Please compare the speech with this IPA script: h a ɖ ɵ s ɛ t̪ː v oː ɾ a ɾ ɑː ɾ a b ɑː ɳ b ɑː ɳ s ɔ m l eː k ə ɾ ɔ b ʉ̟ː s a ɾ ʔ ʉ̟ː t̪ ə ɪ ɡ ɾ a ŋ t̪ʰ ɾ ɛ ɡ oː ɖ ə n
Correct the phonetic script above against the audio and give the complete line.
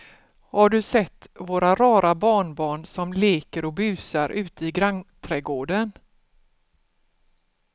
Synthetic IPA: h a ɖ ɵ s ɛ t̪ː v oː ɾ a ɾ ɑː ɾ a b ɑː ɳ b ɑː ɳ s ɔ m l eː k ə ɾ ɔ b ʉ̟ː s a ɾ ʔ ʉ̟ː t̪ ə ɪ ɡ ɾ a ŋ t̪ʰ ɾ ɛ ɡ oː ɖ ə n